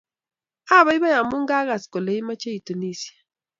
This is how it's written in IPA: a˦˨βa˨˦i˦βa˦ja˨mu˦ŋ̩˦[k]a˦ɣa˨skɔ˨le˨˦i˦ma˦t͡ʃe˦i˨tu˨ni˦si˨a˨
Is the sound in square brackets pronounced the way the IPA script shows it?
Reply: no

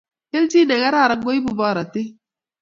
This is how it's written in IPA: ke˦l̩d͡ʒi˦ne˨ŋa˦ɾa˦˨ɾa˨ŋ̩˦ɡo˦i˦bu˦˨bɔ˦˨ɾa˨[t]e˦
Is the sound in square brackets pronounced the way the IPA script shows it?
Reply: yes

